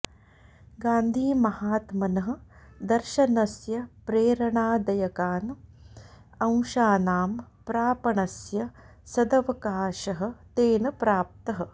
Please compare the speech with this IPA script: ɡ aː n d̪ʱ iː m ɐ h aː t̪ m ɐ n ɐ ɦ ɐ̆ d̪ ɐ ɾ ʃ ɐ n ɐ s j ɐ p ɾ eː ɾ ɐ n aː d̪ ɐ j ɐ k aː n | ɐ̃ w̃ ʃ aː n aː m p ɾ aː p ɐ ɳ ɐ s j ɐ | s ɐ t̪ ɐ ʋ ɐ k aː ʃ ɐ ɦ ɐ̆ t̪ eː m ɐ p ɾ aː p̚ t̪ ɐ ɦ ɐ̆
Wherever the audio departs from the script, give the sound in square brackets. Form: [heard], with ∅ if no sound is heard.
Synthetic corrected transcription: ɡ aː n d̪ʱ iː m ɐ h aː t̪ m ɐ n ɐ ɦ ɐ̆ d̪ ɐ ɾ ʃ ɐ n ɐ s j ɐ p ɾ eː ɾ ɐ [ɳ] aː d̪ ɐ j ɐ k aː n | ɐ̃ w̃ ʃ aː n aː m p ɾ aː p ɐ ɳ ɐ s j ɐ | s ɐ [d̪] ɐ ʋ ɐ k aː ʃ ɐ ɦ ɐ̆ t̪ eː [n] ɐ p ɾ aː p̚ t̪ ɐ ɦ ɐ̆